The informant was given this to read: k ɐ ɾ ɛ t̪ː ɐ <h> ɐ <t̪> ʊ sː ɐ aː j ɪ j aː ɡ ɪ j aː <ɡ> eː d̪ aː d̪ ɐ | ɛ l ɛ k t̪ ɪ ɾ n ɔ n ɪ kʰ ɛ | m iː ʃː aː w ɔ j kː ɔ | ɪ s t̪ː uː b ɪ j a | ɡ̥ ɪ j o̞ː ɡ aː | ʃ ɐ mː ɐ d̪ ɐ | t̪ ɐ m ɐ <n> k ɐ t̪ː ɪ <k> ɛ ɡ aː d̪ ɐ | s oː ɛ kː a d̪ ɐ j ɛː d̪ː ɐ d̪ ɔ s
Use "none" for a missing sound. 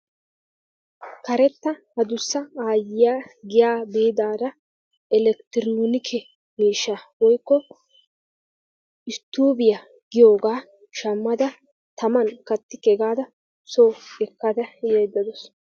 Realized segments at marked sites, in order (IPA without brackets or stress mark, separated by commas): h, d̪, b, n, k